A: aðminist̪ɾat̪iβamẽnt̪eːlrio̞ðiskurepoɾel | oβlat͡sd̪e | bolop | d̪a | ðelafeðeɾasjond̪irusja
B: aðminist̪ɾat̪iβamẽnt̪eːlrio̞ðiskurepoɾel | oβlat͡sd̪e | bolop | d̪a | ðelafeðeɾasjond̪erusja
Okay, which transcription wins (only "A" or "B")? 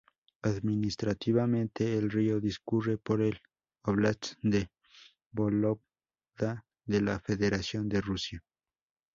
B